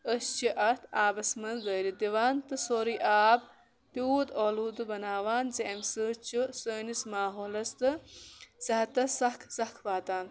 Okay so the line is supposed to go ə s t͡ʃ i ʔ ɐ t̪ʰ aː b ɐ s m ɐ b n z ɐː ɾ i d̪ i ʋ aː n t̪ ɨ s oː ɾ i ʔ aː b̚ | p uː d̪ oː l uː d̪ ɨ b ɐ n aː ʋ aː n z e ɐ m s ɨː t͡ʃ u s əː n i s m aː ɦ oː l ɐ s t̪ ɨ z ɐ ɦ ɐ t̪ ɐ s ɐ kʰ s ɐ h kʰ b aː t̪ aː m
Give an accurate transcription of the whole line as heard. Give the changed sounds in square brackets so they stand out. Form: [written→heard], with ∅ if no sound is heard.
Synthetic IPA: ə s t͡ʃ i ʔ ɐ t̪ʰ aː b ɐ s m ɐ [b→∅] n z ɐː ɾ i d̪ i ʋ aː n t̪ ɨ s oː ɾ i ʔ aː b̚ | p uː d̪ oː l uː d̪ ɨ b ɐ n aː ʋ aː n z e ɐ m s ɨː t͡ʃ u s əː n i s m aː ɦ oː l ɐ s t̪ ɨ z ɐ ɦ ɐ t̪ ɐ s ɐ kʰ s ɐ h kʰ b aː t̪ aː [m→n]